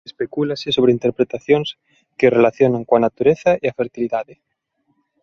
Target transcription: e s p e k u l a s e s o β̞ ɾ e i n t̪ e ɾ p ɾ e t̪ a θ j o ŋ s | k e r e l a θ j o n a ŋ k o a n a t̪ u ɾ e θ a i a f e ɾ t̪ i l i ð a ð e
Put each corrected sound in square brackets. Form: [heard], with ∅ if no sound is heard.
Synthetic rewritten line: e s p e k u l a s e s o β̞ ɾ e i n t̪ e ɾ p ɾ e t̪ a θ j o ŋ s | k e r e l a θ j o n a ŋ k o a n a t̪ u ɾ e θ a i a f e ɾ t̪ i l i ð a ð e